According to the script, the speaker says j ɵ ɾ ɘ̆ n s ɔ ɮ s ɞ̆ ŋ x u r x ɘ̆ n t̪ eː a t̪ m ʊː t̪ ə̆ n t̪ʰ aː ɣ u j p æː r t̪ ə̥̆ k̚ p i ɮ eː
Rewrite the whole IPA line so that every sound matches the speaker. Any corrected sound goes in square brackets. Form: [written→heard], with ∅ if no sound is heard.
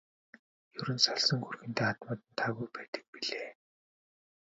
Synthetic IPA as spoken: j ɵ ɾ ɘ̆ n s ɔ ɮ s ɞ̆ ŋ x u r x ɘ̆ n t̪ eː a t̪ m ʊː t̪ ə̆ n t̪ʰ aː ɣ u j p æː [r→∅] t̪ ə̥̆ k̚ p i ɮ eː